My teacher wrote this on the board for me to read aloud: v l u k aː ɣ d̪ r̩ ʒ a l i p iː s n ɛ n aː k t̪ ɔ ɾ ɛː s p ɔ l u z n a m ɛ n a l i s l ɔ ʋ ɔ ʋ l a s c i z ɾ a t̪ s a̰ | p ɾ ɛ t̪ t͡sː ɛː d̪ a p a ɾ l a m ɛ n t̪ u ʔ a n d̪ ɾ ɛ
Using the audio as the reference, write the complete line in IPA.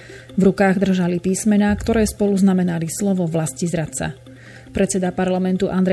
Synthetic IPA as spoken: v ɾ u k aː ɣ d̪ r̩ ʒ a l i p iː s m ɛ n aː k t̪ ɔ ɾ ɛː s p ɔ l u z n a m ɛ n a l i s l ɔ ʋ ɔ ʋ l a s c i z ɾ a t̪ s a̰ | p ɾ ɛ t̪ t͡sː ɛ d̪ a p a ɾ l a m ɛ n t̪ u ʔ a n d̪ ɾ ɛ